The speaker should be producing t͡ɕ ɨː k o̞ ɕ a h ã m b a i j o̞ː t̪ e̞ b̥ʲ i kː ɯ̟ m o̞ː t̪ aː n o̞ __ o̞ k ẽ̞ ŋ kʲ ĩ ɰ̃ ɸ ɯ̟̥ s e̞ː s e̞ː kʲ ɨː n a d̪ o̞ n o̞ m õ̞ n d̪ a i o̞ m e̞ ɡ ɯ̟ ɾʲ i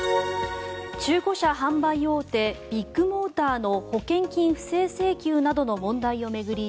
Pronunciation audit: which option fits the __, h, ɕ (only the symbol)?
h